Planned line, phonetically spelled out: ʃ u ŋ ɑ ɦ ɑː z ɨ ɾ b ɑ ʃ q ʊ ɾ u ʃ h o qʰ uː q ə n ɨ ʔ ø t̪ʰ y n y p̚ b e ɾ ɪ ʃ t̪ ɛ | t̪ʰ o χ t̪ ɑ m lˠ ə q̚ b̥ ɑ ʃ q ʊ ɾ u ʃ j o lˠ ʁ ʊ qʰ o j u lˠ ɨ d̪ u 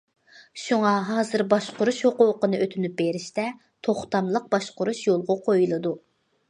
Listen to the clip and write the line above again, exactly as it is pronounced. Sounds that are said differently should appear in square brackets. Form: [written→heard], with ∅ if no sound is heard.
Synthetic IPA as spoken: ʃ u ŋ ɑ ɦ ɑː z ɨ ɾ b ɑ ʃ q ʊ ɾ u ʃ h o [qʰ→q] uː q ə n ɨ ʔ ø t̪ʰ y n y p̚ b e ɾ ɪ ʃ t̪ ɛ | t̪ʰ o χ t̪ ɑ m lˠ ə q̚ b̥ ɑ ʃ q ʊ ɾ u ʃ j o lˠ ʁ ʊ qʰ o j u lˠ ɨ d̪ u